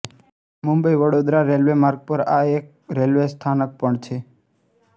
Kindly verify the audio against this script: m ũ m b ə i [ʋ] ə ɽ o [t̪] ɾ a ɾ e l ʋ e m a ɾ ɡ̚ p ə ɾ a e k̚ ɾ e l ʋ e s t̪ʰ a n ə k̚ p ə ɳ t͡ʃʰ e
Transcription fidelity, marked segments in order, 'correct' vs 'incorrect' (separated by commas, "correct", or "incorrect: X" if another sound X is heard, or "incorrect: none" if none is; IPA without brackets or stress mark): correct, incorrect: d̪